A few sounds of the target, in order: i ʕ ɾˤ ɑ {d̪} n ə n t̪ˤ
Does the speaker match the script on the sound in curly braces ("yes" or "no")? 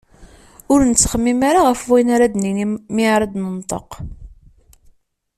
yes